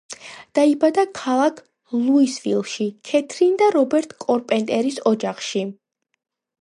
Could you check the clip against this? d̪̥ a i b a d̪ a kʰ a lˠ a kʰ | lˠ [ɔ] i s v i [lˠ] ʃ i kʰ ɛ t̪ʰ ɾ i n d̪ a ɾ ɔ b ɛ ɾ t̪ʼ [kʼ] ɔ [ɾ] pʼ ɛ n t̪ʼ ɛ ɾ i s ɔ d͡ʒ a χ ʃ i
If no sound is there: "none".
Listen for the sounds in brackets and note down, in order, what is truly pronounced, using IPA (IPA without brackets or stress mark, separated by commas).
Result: u, lˠ, kʼ, ɾ